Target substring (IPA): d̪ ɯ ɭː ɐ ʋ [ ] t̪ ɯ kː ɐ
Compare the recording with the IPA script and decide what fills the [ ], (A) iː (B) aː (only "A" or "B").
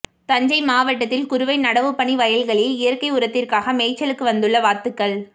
B